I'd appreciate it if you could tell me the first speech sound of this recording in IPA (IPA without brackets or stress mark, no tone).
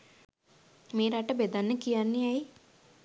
m